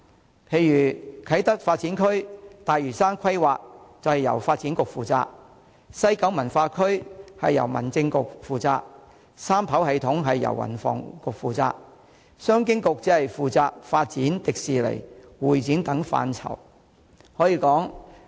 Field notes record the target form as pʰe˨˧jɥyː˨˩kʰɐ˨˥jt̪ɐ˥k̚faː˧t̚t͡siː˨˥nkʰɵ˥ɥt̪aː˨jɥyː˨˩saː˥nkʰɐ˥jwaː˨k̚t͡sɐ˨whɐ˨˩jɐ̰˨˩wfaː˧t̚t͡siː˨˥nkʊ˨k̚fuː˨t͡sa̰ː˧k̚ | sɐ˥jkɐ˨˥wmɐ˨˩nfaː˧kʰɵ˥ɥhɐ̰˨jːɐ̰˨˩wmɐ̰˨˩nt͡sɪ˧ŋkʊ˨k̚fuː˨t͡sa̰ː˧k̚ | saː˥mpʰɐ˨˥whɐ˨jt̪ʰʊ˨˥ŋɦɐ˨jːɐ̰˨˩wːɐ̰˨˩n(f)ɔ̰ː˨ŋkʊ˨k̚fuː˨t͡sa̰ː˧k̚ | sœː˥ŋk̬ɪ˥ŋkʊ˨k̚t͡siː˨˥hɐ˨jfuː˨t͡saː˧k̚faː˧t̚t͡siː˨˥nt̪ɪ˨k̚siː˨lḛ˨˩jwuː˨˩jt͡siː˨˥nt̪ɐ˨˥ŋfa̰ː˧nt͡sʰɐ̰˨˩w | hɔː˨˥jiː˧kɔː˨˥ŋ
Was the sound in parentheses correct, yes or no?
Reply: yes